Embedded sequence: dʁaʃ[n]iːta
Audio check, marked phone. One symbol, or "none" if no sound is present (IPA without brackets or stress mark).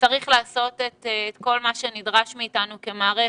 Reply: m